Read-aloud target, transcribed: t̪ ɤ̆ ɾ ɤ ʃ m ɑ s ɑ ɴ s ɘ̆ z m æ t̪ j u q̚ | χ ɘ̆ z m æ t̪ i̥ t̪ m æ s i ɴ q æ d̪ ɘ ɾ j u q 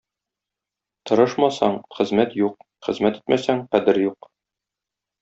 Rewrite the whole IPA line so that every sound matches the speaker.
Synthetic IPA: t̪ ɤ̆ ɾ ɤ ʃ m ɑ s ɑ ɴ χ ɘ̆ z m æ t̪ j u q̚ | χ ɘ̆ z m æ t̪ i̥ t̪ m æ s æ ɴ q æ d̪ ɘ ɾ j u q

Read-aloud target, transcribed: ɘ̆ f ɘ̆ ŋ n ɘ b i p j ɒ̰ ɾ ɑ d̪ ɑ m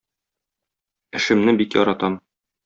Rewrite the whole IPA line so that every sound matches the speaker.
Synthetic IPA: ɘ̆ ʃ ɘ̆ m n ɘ b i k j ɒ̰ ɾ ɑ t̪ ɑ m

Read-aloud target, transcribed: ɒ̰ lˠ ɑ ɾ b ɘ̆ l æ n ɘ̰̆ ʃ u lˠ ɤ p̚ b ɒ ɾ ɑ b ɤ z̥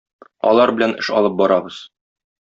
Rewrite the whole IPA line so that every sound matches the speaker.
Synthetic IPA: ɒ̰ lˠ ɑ ɾ b ɘ̆ l æ n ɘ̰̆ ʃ ɒ lˠ ɤ p̚ b ɒ ɾ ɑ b ɤ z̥

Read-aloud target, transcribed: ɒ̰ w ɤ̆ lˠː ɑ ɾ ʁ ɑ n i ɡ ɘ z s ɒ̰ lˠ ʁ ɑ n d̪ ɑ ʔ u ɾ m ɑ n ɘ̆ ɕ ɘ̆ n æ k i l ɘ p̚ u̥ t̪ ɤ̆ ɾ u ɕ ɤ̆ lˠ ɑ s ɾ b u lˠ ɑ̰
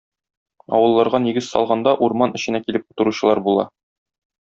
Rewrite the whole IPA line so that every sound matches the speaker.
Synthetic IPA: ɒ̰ w ɤ̆ lˠː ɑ ɾ ʁ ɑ n i ɡ ɘ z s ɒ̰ lˠ ʁ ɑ n d̪ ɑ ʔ u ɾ m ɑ n ɘ̆ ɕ ɘ̆ n æ k i l ɘ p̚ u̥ t̪ ɤ̆ ɾ u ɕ ɤ̆ lˠ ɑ ɾ b u lˠ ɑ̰

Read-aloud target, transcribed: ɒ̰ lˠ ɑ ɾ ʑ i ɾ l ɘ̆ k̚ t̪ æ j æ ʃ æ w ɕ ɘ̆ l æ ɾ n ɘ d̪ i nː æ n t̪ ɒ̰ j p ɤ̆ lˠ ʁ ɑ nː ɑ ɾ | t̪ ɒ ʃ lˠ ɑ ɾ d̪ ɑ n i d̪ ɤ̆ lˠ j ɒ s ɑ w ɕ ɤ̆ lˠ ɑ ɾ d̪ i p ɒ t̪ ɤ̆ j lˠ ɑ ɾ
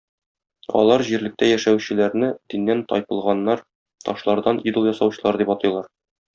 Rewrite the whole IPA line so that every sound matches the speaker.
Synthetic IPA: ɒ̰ lˠ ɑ ɾ ʑ i ɾ l ɘ̆ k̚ t̪ æ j æ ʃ æ w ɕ ɘ̆ l æ ɾ n ɘ d̪ i nː æ n t̪ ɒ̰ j p ɤ̆ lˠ ʁ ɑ nː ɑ ɾ | t̪ ɒ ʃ lˠ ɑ ɾ d̪ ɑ n i d̪ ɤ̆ lˠ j ɒ s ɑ w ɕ ɤ̆ lˠ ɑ ɾ d̪ i p ɒ t̪ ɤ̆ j lˠ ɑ ɾ

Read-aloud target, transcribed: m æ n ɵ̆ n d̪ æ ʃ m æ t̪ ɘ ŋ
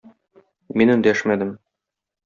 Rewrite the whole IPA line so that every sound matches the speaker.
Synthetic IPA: m i n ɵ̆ n d̪ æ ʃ m æ d̪ ɘ m

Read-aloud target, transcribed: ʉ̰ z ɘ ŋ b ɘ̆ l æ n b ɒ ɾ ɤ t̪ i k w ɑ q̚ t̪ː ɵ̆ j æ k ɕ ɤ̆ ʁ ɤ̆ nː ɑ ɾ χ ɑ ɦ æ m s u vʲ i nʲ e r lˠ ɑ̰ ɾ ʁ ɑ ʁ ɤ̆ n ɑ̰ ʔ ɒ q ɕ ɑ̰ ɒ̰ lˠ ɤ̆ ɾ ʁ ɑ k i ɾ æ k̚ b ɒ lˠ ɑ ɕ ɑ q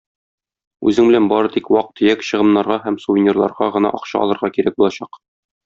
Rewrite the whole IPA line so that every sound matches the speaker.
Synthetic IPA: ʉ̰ z ɘ ŋ b ɘ̆ l æ n b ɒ ɾ ɤ t̪ i k w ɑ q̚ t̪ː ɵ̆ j æ k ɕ ɤ̆ ʁ ɤ̆ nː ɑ ɾ ʁ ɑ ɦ æ m s u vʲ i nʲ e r lˠ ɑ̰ ɾ ʁ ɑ ʁ ɤ̆ n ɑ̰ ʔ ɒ q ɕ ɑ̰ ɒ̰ lˠ ɤ̆ ɾ ʁ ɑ k i ɾ æ k̚ b u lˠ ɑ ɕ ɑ q

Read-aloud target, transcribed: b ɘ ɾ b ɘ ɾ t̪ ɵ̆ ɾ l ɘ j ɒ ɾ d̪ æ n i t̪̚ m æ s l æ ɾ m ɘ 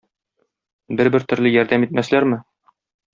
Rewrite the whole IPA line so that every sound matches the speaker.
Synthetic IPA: b ɘ ɾ b ɘ ɾ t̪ ɵ̆ ɾ l ɘ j ɒ ɾ d̪ æ m i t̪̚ m æ s l æ ɾ m ɘ

